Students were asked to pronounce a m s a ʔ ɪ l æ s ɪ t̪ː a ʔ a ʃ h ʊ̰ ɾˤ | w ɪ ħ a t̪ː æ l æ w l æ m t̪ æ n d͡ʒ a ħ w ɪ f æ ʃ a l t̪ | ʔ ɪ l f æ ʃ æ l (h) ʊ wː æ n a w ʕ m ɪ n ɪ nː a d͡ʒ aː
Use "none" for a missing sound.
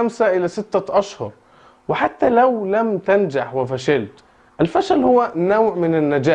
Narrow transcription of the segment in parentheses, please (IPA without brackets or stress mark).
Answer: h